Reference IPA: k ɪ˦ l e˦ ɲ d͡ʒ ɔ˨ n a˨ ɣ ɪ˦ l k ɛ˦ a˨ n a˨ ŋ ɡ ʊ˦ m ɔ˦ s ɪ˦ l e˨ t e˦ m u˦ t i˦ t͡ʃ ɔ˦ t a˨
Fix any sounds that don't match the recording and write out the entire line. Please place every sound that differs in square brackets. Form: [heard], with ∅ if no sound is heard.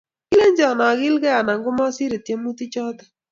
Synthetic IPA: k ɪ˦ l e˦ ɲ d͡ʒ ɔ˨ n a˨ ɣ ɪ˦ l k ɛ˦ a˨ n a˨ ŋ ɡ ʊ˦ m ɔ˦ s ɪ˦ [ɾ] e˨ t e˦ m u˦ t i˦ t͡ʃ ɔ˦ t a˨